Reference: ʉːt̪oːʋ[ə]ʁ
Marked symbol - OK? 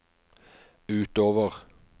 yes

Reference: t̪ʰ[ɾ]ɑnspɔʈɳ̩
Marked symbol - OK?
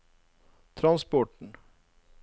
yes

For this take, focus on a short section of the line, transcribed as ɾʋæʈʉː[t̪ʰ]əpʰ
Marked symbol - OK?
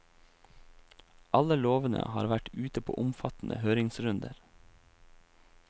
no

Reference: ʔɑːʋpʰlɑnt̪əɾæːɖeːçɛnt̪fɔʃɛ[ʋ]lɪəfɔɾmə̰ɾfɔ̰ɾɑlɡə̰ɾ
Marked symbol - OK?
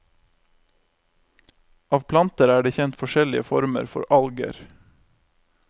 no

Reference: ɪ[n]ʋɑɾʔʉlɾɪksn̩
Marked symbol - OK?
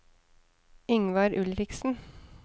no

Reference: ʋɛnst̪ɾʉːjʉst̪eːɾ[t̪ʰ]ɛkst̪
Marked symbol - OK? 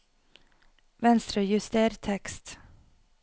yes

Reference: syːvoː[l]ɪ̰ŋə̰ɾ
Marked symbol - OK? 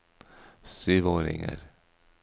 no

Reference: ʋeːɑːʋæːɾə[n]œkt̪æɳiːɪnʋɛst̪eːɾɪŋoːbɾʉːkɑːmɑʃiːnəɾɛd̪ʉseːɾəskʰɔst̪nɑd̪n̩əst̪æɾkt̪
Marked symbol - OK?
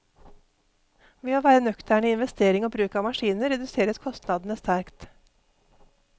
yes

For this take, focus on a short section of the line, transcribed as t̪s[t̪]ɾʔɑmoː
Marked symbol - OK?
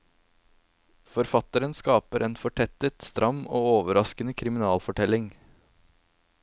yes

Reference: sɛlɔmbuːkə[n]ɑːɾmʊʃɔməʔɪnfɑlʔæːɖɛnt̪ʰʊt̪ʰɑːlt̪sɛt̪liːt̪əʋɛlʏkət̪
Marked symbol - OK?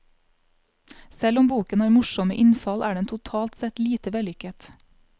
yes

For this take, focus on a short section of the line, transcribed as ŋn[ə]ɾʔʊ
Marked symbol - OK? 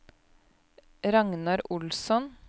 no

